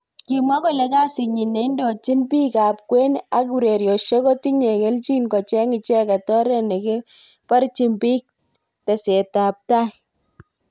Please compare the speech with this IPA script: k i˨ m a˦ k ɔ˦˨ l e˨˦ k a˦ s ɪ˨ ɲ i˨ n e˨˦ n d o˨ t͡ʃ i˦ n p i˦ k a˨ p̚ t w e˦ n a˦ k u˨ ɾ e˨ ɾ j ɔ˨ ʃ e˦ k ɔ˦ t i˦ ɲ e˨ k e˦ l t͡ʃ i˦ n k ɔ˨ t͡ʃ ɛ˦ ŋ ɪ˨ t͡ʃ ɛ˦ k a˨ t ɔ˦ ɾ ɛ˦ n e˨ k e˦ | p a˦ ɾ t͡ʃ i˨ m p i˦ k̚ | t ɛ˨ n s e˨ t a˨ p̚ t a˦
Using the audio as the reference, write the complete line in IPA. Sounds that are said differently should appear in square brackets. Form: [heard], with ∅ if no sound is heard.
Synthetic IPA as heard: k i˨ m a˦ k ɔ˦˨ l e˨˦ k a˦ s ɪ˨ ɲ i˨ n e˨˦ n d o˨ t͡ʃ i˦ n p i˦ k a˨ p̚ [k] w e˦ n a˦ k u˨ ɾ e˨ ɾ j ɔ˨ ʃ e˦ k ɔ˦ t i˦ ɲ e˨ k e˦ l t͡ʃ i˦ n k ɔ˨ t͡ʃ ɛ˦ ŋ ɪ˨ t͡ʃ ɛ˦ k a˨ t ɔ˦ ɾ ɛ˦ n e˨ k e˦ | p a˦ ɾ t͡ʃ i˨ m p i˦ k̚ | t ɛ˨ [∅] s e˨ t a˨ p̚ t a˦